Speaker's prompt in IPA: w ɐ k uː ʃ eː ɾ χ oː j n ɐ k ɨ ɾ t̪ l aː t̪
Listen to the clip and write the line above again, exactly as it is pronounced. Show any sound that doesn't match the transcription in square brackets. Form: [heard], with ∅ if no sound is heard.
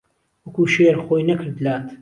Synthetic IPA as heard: w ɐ k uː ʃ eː ɾ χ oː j n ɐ k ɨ ɾ [d̪] l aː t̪